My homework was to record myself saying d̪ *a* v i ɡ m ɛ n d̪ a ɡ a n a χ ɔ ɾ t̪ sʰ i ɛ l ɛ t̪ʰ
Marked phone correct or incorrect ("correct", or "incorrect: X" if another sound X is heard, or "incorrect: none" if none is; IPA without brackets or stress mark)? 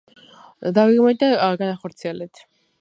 correct